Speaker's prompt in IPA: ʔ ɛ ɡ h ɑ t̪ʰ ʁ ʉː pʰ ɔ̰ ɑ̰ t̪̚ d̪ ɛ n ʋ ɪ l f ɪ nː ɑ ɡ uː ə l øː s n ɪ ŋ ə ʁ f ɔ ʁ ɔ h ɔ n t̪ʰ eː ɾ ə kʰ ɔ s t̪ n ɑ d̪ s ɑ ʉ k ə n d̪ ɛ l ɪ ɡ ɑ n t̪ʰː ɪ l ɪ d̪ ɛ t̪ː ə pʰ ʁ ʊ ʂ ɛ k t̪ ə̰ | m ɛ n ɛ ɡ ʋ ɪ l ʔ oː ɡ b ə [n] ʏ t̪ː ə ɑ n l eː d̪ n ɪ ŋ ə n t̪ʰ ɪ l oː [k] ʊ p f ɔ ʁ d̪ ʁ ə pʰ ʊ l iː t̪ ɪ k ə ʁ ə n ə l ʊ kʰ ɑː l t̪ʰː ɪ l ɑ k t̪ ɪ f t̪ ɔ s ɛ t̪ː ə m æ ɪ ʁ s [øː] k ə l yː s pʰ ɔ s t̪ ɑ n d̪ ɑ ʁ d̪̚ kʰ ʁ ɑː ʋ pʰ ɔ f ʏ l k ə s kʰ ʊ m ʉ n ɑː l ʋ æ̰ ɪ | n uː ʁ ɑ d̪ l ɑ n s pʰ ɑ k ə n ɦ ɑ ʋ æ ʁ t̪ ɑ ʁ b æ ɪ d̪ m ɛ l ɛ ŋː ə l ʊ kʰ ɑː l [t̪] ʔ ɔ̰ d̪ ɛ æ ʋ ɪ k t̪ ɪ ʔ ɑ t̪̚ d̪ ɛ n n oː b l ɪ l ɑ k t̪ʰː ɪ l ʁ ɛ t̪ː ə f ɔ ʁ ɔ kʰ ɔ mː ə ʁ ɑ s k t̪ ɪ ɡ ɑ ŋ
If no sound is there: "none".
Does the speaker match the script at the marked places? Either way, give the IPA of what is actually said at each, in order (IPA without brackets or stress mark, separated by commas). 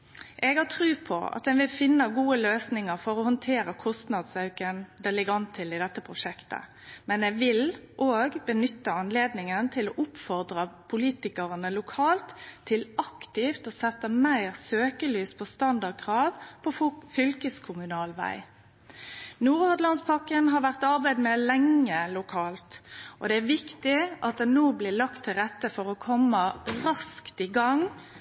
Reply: n, ʔ, øː, t̪